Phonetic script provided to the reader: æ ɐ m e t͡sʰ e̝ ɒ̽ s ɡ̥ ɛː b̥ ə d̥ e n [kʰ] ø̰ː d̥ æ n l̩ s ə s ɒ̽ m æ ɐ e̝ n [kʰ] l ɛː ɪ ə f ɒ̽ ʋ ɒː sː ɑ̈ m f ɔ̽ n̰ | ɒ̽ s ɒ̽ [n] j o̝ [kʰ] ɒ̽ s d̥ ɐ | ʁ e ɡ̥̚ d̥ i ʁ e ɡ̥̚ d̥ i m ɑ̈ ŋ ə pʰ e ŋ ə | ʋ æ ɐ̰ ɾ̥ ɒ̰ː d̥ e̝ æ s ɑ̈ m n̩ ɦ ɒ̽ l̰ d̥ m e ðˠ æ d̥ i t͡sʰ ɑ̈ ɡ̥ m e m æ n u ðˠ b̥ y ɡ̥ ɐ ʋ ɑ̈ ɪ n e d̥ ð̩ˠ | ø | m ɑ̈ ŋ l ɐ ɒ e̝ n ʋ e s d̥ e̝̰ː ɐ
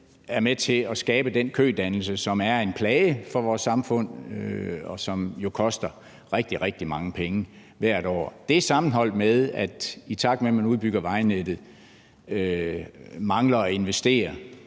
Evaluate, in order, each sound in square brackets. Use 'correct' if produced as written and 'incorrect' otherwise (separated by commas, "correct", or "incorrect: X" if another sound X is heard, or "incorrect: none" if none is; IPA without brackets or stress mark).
correct, incorrect: pʰ, incorrect: m, correct